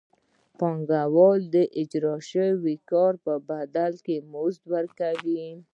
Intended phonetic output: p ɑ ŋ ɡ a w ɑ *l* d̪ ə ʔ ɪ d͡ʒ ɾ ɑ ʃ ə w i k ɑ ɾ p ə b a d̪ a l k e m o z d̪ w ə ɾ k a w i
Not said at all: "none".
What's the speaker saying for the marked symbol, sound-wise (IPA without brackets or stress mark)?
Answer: l